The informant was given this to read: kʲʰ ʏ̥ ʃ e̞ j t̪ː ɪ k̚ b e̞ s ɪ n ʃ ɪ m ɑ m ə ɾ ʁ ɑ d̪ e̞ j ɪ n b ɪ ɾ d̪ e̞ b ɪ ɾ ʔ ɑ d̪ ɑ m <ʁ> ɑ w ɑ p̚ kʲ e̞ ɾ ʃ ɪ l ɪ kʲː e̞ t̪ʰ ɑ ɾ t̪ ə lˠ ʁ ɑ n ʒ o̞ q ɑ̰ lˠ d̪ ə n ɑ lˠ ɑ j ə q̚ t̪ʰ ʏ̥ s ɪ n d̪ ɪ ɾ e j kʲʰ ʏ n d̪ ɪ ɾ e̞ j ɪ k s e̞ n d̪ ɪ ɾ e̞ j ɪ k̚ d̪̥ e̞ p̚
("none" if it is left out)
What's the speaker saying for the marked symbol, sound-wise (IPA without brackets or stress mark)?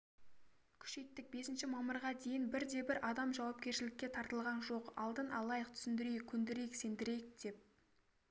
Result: ʒ